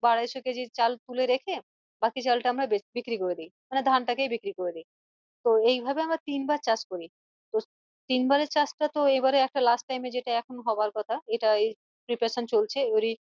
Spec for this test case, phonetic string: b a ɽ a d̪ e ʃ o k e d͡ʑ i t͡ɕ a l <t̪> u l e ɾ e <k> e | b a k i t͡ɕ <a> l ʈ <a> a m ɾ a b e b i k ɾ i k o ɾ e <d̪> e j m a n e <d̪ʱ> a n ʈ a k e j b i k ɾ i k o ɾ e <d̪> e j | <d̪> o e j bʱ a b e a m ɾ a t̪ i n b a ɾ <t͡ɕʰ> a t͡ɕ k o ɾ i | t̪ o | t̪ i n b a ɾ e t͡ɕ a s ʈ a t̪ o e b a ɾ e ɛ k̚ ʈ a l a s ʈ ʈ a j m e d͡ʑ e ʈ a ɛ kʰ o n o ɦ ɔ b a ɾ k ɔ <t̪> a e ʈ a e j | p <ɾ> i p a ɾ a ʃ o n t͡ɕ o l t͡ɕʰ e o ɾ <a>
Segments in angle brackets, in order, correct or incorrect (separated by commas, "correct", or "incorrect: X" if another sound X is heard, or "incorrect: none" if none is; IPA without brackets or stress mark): correct, incorrect: kʰ, correct, correct, correct, correct, correct, incorrect: t̪, incorrect: t͡ɕ, incorrect: t̪ʰ, correct, incorrect: i